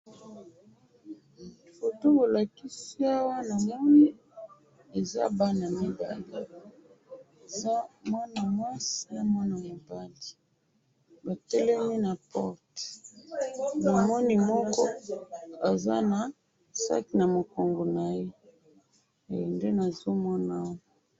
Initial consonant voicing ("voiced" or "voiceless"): voiceless